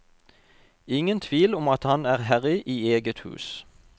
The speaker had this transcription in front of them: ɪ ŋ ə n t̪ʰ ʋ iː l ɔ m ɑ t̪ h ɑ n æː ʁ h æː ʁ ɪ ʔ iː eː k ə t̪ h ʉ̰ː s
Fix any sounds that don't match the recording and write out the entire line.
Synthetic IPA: ɪ ŋ ə n t̪ʰ ʋ iː l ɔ m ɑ t̪ h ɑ n æː ʁ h æ ʁ ɪ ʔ iː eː ɡ ə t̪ h ʉ̰ː s